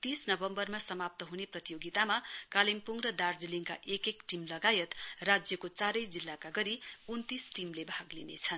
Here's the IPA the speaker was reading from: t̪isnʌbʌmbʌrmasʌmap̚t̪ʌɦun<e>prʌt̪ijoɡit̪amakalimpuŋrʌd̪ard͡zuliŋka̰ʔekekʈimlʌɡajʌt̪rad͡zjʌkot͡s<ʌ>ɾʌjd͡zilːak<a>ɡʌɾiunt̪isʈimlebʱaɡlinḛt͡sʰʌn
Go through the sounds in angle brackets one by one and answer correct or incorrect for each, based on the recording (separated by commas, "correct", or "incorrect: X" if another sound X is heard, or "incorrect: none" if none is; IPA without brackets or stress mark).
correct, incorrect: a, correct